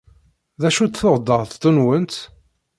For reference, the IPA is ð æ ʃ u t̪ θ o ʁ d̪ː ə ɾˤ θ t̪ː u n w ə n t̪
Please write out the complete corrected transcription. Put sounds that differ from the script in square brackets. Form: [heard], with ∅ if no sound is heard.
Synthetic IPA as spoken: ð æ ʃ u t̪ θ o ʁ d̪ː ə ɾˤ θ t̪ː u n w ə n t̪